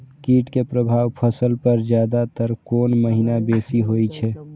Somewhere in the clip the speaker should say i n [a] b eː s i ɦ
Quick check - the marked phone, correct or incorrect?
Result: correct